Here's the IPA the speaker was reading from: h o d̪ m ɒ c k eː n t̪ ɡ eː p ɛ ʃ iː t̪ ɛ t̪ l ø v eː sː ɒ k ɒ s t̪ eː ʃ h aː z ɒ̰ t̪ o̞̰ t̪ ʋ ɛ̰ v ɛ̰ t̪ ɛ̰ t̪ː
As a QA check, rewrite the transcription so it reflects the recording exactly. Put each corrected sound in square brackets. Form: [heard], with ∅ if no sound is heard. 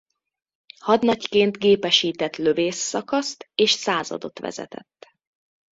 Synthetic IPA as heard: h [ɒ] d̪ [n] ɒ c k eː n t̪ ɡ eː p ɛ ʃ iː t̪ ɛ t̪ l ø v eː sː ɒ k ɒ s t̪ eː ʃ [s] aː z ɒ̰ [d̪] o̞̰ t̪ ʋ ɛ̰ [z] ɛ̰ t̪ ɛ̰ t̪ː